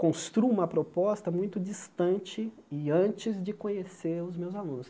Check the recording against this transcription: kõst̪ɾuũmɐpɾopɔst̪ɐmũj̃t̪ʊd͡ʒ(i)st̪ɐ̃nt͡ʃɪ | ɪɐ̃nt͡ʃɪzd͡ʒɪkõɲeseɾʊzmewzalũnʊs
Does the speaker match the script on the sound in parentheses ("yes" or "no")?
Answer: yes